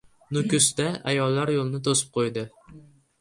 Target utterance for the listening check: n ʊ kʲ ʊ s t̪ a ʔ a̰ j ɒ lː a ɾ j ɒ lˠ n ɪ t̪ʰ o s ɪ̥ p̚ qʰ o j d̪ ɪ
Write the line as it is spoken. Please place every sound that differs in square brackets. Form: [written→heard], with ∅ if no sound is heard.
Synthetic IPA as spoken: n ʊ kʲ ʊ s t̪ a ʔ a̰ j ɒ lː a ɾ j [ɒ→o] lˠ n ɪ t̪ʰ o s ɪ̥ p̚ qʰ o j d̪ ɪ